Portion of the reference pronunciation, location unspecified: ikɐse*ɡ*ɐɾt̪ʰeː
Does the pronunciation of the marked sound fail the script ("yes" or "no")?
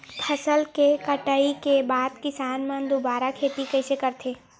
yes